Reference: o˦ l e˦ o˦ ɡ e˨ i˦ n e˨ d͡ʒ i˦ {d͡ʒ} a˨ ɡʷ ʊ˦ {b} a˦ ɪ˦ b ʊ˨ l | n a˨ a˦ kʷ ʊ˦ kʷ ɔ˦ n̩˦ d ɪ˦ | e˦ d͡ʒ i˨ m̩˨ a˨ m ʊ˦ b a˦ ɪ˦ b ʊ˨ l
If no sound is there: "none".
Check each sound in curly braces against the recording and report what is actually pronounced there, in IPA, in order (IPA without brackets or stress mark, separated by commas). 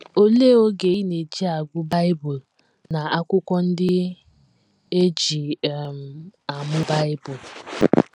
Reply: none, b